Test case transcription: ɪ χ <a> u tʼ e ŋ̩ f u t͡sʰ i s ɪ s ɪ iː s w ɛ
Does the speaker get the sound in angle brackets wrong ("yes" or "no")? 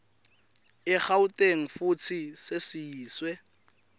no